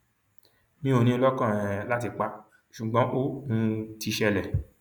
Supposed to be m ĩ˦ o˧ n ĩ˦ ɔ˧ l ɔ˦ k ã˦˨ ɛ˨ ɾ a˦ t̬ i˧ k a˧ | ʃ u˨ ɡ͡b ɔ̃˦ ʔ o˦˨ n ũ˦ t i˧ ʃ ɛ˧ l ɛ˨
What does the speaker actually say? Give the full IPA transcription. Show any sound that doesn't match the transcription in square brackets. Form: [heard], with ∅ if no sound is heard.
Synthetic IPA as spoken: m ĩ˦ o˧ n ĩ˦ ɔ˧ l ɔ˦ k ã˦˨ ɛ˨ [l] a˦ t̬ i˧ [k͡p] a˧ | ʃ u˨ ɡ͡b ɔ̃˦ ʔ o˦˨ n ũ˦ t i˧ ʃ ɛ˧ l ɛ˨